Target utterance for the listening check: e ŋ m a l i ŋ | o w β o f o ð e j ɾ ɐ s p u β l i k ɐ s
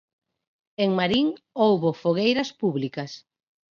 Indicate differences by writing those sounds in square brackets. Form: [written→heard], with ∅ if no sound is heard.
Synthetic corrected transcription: e ŋ m a [l→ɾ] i ŋ | o w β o f o [ð→ɣ] e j ɾ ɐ s p u β l i k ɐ s